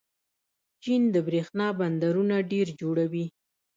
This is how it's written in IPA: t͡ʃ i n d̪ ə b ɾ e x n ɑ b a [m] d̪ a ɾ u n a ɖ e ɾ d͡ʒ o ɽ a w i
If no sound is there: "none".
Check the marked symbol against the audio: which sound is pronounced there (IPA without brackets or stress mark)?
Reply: n